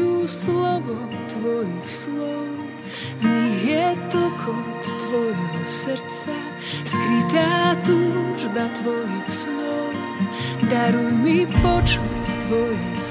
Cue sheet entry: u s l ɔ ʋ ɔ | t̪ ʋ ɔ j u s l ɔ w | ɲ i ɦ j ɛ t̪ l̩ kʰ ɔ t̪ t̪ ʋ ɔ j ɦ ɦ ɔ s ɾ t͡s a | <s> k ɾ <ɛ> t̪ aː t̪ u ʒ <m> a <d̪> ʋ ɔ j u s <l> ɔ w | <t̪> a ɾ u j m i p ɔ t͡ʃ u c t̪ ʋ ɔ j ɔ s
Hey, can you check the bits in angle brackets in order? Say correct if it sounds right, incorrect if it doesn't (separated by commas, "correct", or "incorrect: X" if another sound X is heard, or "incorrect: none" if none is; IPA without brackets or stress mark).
correct, incorrect: i, incorrect: b, incorrect: t̪, correct, incorrect: d̪